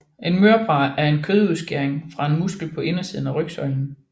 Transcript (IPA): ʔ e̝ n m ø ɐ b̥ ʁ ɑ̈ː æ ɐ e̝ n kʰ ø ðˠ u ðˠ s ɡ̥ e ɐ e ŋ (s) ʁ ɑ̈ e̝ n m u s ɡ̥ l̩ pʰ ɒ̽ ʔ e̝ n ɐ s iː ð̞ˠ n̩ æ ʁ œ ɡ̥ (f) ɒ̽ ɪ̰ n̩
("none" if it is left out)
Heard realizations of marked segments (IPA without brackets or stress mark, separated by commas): f, s